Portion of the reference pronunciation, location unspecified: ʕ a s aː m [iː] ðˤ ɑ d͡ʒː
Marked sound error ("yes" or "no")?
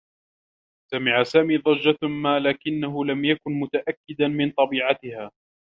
no